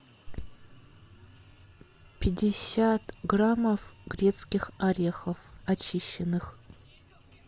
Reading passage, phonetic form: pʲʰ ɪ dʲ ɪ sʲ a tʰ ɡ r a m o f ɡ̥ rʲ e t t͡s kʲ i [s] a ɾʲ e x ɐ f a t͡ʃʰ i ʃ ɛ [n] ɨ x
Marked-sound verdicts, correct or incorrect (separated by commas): incorrect, correct